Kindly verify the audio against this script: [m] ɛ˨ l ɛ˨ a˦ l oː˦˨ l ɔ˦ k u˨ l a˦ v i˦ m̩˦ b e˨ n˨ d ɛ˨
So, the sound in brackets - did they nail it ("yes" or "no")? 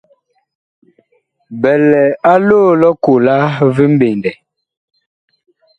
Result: no